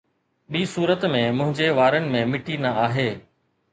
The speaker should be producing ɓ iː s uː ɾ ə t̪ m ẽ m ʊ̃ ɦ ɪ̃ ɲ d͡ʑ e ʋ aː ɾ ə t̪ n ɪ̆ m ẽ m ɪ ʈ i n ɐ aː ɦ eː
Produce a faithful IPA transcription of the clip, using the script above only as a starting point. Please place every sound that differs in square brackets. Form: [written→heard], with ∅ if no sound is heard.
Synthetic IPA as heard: ɓ iː s uː ɾ ə t̪ m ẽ m ʊ̃ ɦ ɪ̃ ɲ d͡ʑ e ʋ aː ɾ ə [t̪→∅] n ɪ̆ m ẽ m ɪ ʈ i n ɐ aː ɦ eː